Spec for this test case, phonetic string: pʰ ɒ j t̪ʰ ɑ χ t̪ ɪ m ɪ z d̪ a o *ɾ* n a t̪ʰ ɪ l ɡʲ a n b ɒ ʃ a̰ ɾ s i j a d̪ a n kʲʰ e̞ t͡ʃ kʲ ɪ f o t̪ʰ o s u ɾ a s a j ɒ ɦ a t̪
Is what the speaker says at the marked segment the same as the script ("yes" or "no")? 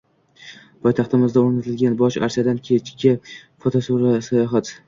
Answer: yes